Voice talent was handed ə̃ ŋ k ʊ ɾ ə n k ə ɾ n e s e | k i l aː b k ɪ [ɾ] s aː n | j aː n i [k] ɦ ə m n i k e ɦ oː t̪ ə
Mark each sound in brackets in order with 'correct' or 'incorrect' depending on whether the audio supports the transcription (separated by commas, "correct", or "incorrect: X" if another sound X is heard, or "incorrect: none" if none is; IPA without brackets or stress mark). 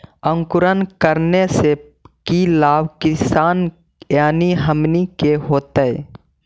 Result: incorrect: none, incorrect: none